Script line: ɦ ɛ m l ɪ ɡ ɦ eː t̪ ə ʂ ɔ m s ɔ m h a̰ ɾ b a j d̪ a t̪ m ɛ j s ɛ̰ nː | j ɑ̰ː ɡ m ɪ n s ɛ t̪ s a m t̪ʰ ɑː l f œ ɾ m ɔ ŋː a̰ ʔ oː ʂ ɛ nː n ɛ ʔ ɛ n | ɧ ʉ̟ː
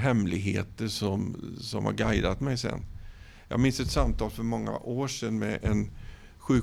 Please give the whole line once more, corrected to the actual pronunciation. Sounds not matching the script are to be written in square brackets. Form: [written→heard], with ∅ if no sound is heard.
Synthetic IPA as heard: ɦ ɛ m l ɪ ɡ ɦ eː t̪ ə ʂ ɔ m s ɔ m h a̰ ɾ [b→ɡ] a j d̪ a t̪ m ɛ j s ɛ̰ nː | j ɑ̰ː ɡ m ɪ n s ɛ t̪ s a m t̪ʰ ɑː l f œ ɾ m ɔ ŋː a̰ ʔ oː ʂ ɛ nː [n→m] ɛ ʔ ɛ n | ɧ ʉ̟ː